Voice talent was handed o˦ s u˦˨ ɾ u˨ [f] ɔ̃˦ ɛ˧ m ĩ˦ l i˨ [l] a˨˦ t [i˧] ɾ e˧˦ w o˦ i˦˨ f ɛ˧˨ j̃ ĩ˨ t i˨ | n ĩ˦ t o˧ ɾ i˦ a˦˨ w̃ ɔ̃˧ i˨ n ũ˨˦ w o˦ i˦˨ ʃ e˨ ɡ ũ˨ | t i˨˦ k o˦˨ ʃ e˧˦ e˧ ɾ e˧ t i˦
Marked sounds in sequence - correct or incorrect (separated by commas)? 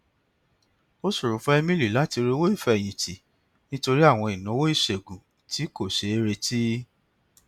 correct, correct, correct